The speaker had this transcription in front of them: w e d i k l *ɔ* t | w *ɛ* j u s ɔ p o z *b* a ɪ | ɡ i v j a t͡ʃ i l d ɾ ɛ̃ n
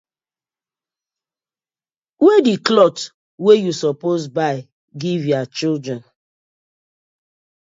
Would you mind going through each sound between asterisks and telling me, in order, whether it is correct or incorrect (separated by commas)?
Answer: correct, incorrect, correct